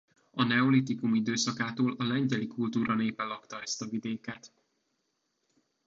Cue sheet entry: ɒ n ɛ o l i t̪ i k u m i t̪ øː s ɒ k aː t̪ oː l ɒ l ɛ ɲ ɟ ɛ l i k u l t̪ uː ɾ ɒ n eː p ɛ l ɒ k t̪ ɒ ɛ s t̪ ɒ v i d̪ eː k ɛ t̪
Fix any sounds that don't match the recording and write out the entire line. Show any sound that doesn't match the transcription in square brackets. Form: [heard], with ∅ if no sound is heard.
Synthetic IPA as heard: ɒ n ɛ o l i t̪ i k u m i [d̪] øː s ɒ k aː t̪ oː l ɒ l ɛ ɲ ɟ ɛ l i k u l t̪ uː ɾ ɒ n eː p ɛ l ɒ k t̪ ɒ ɛ s t̪ ɒ v i d̪ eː k ɛ t̪

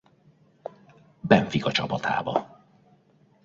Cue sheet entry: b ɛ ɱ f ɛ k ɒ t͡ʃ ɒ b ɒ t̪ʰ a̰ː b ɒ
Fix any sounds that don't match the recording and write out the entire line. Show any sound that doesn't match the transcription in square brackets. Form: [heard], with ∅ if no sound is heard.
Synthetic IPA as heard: b ɛ ɱ f [i] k ɒ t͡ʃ ɒ [p] ɒ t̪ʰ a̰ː b ɒ

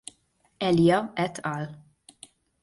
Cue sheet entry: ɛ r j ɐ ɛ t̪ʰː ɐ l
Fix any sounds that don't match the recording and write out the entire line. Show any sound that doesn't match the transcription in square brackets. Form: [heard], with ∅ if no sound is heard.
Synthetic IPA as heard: ɛ [l] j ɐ ɛ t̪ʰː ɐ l

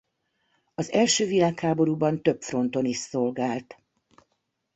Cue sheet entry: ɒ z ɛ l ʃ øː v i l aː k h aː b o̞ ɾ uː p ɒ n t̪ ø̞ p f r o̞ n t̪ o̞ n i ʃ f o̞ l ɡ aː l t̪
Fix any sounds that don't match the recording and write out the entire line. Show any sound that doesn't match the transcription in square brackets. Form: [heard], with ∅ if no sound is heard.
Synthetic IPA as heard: ɒ z ɛ l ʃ øː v i l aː k h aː b o̞ ɾ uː [b] ɒ n t̪ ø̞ p f r o̞ n t̪ o̞ n i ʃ [s] o̞ l ɡ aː l t̪

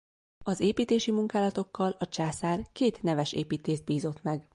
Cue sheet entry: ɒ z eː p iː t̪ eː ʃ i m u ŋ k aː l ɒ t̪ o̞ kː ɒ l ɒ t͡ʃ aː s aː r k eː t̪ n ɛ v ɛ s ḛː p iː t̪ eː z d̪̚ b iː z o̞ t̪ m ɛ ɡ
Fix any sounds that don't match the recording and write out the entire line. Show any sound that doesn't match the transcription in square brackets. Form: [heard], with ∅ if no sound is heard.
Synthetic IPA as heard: ɒ z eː p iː t̪ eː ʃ i m u ŋ k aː l ɒ t̪ o̞ kː ɒ l ɒ t͡ʃ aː s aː r k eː t̪ n ɛ v ɛ [ʃ] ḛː p iː t̪ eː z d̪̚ b iː z o̞ t̪ m ɛ ɡ

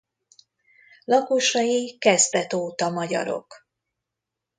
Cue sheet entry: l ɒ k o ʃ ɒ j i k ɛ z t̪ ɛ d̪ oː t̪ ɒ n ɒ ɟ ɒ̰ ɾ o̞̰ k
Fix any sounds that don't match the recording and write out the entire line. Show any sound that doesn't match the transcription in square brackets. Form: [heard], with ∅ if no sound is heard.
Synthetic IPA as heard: l ɒ k o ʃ ɒ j i k ɛ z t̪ ɛ [t̪] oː t̪ ɒ [m] ɒ ɟ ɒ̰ ɾ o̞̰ k

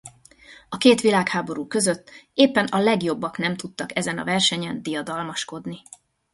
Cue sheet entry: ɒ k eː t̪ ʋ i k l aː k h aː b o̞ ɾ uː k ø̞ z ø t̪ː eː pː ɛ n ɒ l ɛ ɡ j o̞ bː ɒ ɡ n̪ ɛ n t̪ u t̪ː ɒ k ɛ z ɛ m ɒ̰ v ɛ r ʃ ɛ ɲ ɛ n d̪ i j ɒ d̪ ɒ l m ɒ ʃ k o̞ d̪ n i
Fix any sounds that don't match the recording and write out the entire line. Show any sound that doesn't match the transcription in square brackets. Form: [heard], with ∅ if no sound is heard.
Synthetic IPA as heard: ɒ k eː t̪ ʋ i [∅] l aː k h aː b o̞ ɾ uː k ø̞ z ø t̪ː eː pː ɛ n ɒ l ɛ ɡ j o̞ bː ɒ [k] n̪ ɛ [m] t̪ u t̪ː ɒ k ɛ z ɛ [n] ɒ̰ v ɛ r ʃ ɛ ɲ ɛ n d̪ i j ɒ d̪ ɒ l m ɒ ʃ k o̞ d̪ n i

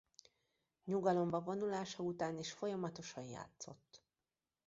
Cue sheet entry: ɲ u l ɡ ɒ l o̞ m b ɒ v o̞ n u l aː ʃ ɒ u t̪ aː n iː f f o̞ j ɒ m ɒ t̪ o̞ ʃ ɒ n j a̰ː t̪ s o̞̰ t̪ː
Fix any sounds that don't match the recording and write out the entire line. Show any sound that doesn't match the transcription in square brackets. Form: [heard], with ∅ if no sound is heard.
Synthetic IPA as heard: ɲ u [∅] ɡ ɒ l o̞ m b ɒ v o̞ n u l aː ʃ ɒ u t̪ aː n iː [ʃ] f o̞ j ɒ m ɒ t̪ o̞ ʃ ɒ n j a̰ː t̪ s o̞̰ t̪ː

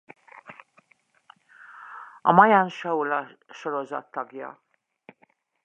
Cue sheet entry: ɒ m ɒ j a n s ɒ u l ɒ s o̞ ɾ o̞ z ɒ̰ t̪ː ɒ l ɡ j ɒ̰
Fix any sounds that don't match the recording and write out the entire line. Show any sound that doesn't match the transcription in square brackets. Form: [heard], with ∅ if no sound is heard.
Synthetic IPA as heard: ɒ m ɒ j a n [ʃ] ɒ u l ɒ [ʃ] o̞ ɾ o̞ z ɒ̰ t̪ː ɒ [∅] ɡ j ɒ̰

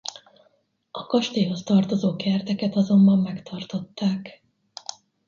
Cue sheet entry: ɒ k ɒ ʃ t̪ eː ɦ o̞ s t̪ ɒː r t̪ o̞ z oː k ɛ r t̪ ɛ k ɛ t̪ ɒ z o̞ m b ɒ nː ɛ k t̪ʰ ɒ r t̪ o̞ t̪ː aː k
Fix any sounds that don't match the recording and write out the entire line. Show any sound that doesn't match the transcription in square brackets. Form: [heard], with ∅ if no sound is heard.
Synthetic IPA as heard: ɒ k ɒ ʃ t̪ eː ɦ o̞ s t̪ [ɒ] r t̪ o̞ z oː k ɛ r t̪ ɛ k ɛ t̪ ɒ z o̞ m b ɒ [mː] ɛ k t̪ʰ ɒ r t̪ o̞ t̪ː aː k

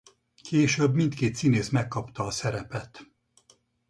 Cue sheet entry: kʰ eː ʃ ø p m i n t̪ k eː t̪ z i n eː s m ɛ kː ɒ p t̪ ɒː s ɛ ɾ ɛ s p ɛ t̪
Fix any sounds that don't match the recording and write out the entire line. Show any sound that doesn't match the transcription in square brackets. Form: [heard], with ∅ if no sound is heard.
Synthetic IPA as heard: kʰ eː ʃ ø [b] m i n t̪ k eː t̪ [s] i n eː s m ɛ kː ɒ p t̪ ɒː s ɛ ɾ ɛ [∅] p ɛ t̪

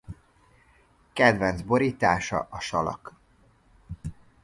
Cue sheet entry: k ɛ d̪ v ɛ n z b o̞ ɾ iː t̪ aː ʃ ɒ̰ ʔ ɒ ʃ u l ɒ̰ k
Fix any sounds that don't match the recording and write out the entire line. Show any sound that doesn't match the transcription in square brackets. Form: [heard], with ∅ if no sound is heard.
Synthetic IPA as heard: k ɛ d̪ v ɛ n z b o̞ ɾ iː t̪ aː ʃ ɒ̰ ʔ ɒ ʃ [ɒ] l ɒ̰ k

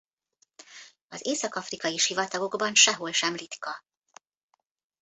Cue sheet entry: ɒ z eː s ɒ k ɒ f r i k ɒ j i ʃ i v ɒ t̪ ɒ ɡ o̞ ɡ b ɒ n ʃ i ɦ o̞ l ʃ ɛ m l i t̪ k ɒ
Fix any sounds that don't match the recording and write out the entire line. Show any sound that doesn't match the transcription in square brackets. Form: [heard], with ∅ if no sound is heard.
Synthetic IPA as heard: ɒ z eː s ɒ k ɒ f r i k ɒ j i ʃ i v ɒ t̪ ɒ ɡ o̞ ɡ b ɒ n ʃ [ɛ] ɦ o̞ l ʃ ɛ m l i t̪ k ɒ

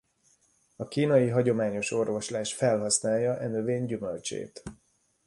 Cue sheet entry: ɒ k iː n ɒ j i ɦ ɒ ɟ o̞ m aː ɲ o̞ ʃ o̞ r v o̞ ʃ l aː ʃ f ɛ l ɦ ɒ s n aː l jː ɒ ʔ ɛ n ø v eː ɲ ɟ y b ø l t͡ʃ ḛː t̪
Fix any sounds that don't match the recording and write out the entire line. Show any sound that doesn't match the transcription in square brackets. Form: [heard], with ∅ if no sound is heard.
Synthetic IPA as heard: ɒ k iː n ɒ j i ɦ ɒ ɟ o̞ m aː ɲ o̞ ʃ o̞ r v o̞ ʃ l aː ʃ f ɛ l ɦ ɒ s n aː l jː ɒ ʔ ɛ n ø v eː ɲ ɟ y [m] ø l t͡ʃ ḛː t̪

